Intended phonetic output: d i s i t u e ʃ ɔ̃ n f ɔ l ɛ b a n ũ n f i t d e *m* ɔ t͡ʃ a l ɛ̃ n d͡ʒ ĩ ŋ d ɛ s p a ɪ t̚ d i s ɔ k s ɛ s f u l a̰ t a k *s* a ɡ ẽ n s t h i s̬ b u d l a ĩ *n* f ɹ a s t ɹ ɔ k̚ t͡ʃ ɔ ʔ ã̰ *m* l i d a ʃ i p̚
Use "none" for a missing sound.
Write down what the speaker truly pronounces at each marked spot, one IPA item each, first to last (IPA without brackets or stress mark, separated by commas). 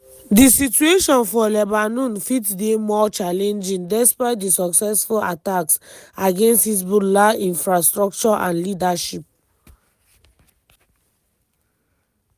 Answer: m, s, n, n